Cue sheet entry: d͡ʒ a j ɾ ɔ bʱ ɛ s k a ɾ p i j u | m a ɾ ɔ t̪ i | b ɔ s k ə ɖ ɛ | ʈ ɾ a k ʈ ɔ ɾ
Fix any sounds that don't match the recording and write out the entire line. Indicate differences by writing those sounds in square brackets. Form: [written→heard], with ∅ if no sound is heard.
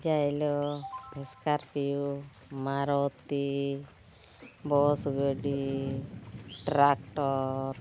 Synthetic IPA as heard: d͡ʒ a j [ɾ→l] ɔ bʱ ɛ s k a ɾ p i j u | m a ɾ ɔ t̪ i | b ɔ s [k→ɡ] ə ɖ [ɛ→i] | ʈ ɾ a k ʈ ɔ ɾ